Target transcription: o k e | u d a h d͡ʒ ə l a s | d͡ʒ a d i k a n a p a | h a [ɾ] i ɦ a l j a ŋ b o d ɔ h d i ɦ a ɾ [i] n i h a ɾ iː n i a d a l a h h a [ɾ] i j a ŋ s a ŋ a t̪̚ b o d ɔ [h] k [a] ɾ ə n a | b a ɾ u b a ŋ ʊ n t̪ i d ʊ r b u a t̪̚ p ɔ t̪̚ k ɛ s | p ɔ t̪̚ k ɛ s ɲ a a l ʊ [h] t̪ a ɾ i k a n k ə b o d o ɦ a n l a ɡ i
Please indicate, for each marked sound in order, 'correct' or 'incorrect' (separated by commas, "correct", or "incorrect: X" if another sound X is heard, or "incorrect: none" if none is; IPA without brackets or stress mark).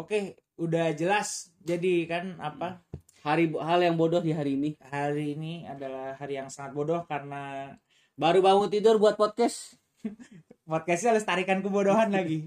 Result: correct, incorrect: iː, correct, correct, correct, incorrect: s